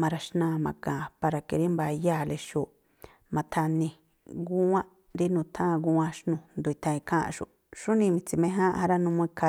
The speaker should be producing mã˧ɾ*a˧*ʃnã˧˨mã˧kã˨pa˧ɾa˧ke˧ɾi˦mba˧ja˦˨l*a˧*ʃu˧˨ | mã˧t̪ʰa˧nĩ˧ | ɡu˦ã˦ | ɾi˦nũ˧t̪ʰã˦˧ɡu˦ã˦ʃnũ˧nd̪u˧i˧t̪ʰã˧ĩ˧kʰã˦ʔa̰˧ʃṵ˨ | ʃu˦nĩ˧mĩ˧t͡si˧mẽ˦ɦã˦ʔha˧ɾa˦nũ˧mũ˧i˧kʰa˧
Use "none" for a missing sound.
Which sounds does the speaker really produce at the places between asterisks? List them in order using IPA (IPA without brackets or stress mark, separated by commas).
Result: a˧, e˧